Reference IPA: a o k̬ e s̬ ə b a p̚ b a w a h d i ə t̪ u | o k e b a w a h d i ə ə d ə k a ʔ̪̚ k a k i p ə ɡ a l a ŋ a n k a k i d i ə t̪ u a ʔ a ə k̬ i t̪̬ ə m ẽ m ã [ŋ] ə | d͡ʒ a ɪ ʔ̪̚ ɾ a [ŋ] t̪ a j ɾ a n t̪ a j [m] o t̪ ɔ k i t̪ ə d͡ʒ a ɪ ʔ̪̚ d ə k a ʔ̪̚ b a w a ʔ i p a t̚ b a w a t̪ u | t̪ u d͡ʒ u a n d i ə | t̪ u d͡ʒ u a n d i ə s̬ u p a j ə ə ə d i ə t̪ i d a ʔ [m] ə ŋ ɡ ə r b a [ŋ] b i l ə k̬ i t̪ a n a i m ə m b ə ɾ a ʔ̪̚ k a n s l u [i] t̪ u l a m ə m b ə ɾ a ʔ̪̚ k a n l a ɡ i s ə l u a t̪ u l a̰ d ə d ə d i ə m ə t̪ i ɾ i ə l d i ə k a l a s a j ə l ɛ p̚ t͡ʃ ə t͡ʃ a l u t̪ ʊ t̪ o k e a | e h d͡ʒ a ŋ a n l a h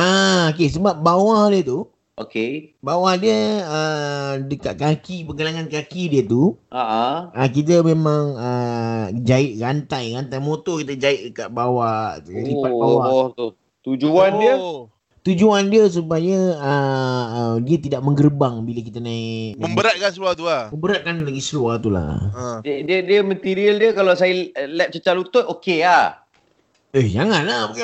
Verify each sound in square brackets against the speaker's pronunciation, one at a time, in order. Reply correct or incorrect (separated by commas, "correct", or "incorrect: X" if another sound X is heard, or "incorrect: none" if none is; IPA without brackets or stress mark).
correct, incorrect: n, correct, correct, correct, incorrect: a